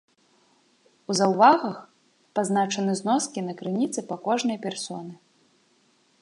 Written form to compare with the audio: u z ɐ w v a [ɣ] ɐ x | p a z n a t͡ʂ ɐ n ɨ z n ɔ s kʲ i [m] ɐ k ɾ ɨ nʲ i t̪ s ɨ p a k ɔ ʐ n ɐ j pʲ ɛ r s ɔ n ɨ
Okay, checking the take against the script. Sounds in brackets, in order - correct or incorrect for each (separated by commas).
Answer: correct, incorrect